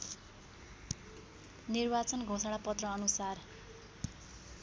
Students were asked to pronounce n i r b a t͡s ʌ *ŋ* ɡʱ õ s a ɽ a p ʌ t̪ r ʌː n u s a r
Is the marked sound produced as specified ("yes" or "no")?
no